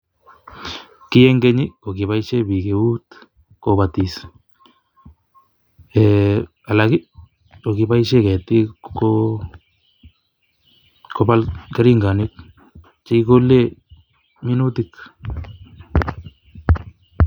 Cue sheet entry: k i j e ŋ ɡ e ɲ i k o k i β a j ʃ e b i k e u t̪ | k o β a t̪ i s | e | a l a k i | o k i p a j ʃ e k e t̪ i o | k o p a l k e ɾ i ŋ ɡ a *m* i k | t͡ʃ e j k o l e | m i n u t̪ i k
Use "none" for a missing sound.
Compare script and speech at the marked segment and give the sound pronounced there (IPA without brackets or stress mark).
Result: n